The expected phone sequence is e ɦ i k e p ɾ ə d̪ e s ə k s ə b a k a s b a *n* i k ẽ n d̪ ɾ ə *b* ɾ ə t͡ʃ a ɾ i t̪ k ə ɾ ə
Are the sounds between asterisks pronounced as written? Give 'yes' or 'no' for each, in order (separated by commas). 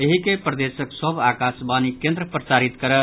yes, no